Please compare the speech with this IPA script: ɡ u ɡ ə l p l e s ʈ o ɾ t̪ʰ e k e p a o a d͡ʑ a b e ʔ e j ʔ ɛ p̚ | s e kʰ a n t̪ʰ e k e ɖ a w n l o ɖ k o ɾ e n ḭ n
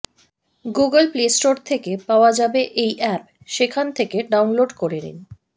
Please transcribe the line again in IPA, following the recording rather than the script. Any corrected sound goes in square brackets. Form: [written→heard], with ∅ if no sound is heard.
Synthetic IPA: ɡ u ɡ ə l p l e s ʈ o ɾ t̪ʰ e k e p a o a d͡ʑ a b e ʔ e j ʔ ɛ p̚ | [s→ʃ] e kʰ a n t̪ʰ e k e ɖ a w n l o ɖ k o ɾ e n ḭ n